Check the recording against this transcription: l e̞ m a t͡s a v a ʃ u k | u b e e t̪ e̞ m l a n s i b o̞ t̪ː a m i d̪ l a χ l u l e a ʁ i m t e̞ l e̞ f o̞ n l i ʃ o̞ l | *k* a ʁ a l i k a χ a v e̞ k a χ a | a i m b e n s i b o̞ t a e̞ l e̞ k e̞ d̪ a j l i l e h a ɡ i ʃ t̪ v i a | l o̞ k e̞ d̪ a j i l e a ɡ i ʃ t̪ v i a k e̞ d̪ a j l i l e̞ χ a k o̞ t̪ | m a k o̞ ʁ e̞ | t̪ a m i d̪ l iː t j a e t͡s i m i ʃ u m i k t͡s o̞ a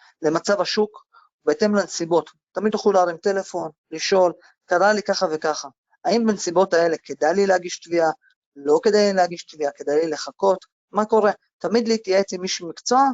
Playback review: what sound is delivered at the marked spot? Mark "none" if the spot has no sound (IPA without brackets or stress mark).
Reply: k